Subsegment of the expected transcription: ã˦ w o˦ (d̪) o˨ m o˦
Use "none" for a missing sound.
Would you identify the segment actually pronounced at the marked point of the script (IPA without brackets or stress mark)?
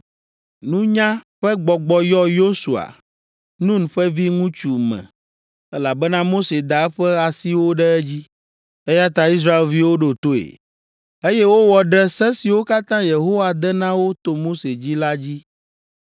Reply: t̪